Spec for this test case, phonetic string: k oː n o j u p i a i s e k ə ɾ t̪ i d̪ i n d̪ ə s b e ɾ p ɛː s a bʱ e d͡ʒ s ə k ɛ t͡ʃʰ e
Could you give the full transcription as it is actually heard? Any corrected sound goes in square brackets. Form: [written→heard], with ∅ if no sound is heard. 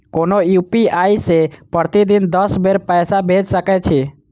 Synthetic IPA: k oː n o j u p i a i s e [k→p] ə ɾ t̪ i d̪ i n d̪ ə s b e ɾ p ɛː s a bʱ e d͡ʒ s ə k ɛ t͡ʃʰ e